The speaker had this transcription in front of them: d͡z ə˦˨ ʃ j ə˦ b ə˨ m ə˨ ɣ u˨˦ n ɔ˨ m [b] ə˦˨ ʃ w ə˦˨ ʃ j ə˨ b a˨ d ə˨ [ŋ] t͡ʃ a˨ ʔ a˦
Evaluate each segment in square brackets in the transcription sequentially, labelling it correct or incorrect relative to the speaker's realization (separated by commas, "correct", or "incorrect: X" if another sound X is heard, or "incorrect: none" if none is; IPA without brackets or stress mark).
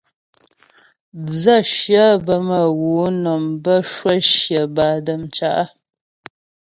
correct, incorrect: m